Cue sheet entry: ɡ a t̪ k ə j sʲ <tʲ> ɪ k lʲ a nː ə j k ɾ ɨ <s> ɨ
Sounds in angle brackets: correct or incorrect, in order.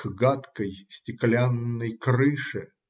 correct, incorrect: ʂ

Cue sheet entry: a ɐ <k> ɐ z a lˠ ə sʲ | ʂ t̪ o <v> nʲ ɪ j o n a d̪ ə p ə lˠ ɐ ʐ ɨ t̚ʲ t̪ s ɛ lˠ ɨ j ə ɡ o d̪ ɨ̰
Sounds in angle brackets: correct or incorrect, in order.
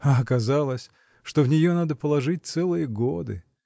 correct, correct

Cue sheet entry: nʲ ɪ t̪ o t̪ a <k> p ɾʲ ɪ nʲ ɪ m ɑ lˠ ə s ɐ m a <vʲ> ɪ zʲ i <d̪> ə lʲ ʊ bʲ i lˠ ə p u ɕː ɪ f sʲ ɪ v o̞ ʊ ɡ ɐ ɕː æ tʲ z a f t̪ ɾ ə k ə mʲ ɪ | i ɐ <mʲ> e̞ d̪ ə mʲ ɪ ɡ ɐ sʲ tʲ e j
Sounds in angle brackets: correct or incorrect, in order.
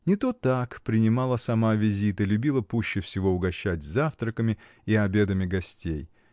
correct, correct, incorrect: t̪, incorrect: bʲ

